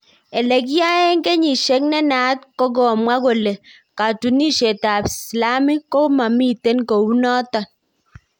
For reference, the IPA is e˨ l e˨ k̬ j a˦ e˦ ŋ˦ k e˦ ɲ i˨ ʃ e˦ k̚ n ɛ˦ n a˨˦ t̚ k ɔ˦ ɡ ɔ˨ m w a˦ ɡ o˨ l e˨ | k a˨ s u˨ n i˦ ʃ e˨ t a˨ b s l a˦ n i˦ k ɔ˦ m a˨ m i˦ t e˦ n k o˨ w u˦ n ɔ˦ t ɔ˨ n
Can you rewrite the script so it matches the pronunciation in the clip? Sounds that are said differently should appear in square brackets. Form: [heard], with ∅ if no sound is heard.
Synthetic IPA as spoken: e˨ l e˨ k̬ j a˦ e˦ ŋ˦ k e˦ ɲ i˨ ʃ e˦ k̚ n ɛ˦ n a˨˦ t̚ k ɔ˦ ɡ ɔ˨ m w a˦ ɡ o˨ l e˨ | k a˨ [t] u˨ n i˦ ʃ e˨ t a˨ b s l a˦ [m] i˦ k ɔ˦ m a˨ m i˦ t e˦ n k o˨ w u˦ n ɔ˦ t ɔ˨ n